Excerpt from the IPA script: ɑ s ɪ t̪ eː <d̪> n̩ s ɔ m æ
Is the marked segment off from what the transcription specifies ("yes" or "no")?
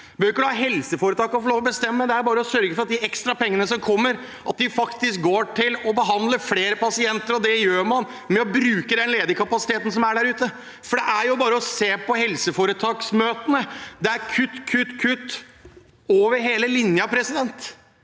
yes